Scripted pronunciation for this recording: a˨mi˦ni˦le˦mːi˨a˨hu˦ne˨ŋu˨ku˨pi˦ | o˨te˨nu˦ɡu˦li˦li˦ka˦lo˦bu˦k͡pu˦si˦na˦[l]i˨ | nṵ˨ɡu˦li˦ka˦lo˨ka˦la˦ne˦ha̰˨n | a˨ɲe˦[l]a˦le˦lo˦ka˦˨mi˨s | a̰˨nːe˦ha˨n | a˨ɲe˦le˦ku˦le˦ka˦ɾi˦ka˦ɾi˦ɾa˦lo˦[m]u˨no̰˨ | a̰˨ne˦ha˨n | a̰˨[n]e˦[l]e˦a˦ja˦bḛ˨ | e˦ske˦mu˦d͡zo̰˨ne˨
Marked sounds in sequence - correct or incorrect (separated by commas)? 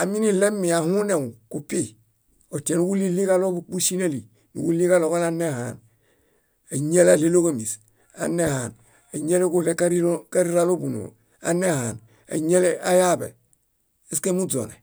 correct, correct, incorrect, incorrect, correct